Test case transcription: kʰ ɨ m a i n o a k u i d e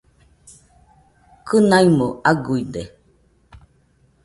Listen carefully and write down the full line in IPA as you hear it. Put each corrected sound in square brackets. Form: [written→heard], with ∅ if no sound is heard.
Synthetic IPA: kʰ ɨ [m→n] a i [n→m] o a [k→ɡ] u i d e